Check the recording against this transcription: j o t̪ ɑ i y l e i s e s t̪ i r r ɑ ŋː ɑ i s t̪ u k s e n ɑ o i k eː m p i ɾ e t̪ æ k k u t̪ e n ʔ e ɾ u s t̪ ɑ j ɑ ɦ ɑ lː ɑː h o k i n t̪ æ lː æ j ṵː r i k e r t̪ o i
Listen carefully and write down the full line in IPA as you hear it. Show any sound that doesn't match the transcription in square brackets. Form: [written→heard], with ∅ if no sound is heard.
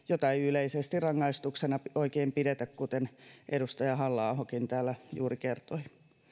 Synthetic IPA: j o t̪ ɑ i y l e i s e s t̪ i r r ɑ ŋː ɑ i s t̪ u k s e n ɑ o i k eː m p i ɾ e t̪ æ k k u t̪ e n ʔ e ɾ u s t̪ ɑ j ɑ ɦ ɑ lː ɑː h o k i n t̪ [æ→æː] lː æ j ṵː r i k e r t̪ o i